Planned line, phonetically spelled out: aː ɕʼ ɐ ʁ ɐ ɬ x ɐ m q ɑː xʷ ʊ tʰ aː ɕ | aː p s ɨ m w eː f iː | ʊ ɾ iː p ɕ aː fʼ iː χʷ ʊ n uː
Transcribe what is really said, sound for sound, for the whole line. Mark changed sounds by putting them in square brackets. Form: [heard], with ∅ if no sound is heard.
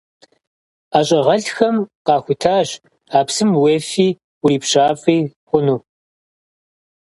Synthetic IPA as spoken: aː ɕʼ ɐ ʁ ɐ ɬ x ɐ m q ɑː xʷ ʊ tʰ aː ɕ | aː p s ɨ m w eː f iː | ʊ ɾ iː p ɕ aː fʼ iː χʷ ʊ n uː